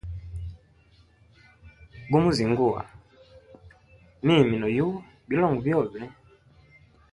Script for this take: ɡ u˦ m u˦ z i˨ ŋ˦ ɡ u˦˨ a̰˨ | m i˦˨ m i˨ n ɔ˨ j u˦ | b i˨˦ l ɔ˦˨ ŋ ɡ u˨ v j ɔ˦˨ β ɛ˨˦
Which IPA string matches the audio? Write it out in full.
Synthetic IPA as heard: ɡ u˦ m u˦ z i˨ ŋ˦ ɡ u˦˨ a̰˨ | m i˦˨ m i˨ n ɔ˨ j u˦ | b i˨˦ l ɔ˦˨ ŋ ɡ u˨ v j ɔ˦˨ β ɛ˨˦

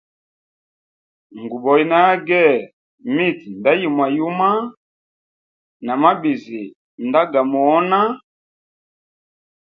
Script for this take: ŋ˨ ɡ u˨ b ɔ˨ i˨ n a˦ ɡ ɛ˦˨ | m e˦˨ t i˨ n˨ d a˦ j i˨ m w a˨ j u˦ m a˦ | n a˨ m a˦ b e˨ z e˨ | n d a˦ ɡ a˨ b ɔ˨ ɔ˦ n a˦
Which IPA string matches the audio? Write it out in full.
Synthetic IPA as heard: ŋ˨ ɡ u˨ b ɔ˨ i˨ n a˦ ɡ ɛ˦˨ | m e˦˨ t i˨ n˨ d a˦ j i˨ m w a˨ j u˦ m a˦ | n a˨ m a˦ b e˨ z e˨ | n d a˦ ɡ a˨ m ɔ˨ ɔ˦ n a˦

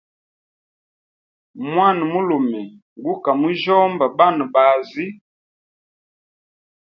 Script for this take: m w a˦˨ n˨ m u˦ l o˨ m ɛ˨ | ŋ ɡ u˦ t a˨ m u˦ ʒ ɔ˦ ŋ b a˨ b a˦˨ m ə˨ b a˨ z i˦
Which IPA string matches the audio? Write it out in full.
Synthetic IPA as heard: m w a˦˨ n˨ m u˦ l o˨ m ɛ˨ | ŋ ɡ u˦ k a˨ m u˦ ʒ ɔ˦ m b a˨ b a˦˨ n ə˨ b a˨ z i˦

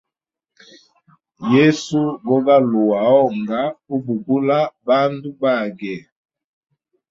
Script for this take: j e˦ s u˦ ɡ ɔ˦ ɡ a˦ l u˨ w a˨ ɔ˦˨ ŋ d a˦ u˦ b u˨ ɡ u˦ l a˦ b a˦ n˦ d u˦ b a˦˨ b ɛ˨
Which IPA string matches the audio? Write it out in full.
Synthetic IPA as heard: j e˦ s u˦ ɡ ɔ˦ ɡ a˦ l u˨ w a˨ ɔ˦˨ ŋ ɡ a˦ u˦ b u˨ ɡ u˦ l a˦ b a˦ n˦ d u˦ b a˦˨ ɡ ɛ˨

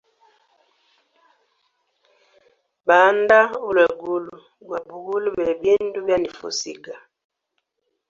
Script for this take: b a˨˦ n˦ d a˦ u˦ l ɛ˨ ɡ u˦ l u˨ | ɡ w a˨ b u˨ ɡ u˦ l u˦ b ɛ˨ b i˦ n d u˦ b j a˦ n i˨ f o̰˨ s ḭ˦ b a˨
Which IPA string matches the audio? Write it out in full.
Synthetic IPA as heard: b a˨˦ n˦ d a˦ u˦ l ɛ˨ ɡ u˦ l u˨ | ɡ w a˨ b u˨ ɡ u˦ l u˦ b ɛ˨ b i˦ n d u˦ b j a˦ n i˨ f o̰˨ s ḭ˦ ɡ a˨

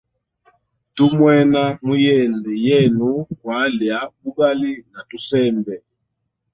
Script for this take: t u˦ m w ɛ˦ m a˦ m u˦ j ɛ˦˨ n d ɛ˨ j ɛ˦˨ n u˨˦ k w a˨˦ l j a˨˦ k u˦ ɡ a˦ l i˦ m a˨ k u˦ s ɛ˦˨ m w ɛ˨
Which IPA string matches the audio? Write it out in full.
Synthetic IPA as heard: t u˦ m w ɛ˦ n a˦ m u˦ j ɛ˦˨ n d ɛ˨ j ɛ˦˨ n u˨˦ k w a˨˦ l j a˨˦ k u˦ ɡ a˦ l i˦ n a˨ t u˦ s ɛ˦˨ m b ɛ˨

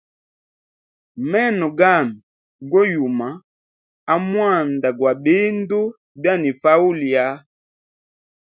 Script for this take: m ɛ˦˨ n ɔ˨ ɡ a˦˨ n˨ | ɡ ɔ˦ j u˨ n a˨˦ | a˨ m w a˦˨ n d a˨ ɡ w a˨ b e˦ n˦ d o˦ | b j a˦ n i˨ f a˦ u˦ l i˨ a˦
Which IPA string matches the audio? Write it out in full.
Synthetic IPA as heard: m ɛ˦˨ n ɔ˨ ɡ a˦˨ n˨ | ɡ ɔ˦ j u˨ m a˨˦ | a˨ m w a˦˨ n d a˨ ɡ w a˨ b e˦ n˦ d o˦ | b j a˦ n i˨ f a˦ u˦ l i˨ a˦

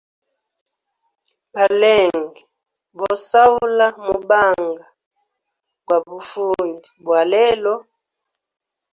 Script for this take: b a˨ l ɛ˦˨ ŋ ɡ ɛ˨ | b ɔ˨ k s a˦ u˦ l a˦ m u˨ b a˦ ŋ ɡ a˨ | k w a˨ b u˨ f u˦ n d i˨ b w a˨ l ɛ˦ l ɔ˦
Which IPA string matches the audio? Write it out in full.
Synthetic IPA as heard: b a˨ l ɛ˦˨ ŋ ɡ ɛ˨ | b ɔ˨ s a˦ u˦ l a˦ m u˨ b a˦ ŋ ɡ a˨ | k w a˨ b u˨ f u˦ n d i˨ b w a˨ l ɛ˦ l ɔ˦

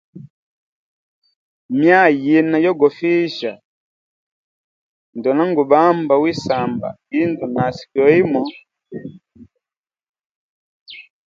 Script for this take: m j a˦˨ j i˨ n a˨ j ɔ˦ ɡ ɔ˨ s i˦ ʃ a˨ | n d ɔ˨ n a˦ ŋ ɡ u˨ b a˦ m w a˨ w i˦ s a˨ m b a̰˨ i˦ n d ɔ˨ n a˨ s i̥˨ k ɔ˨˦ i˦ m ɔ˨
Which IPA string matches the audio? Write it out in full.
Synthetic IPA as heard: m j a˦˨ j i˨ n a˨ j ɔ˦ ɡ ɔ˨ f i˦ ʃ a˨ | n d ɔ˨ n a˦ ŋ ɡ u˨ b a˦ m b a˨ w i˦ s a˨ m b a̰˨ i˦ n d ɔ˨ n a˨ s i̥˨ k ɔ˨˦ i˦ m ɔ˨

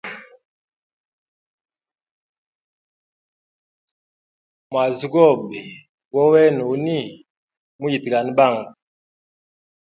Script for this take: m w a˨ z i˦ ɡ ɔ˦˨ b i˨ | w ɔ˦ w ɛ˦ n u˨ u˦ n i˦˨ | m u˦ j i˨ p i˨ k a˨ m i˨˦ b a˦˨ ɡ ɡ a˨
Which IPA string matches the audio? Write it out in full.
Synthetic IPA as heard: m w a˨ z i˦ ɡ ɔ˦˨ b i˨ | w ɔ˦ w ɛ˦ n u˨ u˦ n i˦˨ | m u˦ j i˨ t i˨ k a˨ n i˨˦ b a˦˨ ŋ ɡ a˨

